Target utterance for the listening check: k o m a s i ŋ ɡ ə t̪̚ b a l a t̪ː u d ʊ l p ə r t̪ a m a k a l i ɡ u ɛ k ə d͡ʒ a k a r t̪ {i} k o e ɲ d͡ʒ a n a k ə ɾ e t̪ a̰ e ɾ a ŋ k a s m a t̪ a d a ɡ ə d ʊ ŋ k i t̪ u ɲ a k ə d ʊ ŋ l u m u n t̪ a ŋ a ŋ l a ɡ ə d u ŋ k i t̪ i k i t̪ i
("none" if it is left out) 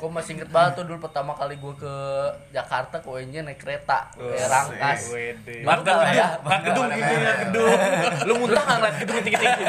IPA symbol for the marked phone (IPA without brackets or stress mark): a